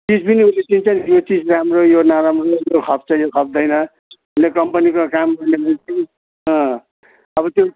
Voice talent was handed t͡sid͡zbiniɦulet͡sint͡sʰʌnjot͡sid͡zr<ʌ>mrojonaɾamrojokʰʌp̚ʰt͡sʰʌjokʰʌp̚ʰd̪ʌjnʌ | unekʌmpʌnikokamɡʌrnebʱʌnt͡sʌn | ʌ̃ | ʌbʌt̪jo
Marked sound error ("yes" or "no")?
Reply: yes